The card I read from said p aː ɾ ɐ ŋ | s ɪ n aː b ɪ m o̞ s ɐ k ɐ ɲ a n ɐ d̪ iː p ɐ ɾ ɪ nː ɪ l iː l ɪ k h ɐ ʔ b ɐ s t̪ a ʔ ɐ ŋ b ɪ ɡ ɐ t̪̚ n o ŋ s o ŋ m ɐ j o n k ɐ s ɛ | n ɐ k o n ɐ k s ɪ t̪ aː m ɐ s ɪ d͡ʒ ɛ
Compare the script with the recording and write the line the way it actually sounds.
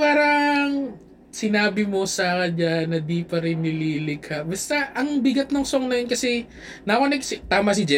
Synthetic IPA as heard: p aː ɾ ɐ ŋ | s ɪ n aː b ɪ m o̞ s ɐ k ɐ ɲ a n ɐ d̪ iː p ɐ ɾ ɪ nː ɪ l iː l ɪ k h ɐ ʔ b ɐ s t̪ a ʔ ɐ ŋ b ɪ ɡ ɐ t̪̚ n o ŋ s o ŋ n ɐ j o n k ɐ s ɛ | n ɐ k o n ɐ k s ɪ t̪ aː m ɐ s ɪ d͡ʒ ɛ